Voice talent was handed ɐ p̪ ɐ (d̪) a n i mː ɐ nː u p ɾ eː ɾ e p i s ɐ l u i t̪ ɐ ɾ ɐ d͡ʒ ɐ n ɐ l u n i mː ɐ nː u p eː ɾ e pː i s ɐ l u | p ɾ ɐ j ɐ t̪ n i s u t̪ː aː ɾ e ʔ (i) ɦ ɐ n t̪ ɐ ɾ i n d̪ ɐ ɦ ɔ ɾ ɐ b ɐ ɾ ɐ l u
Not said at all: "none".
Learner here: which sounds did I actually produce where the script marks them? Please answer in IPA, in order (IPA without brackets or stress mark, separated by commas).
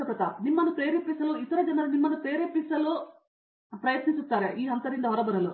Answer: t̪, iː